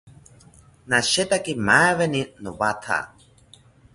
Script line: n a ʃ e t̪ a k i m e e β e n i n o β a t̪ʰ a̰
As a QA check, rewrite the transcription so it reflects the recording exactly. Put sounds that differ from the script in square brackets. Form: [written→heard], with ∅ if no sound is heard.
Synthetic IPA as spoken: n a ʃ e t̪ a k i m [e→a] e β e n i n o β a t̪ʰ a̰